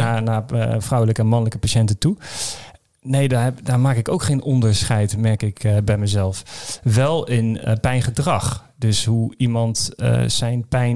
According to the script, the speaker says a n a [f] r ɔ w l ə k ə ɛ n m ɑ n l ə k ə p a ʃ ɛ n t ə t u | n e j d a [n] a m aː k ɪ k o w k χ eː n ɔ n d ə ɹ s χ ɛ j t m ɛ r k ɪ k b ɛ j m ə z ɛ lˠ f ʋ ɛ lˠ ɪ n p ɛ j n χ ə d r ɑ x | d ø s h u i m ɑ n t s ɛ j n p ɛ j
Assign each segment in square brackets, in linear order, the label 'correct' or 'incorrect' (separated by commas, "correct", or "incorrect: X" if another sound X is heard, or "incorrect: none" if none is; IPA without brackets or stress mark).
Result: correct, incorrect: d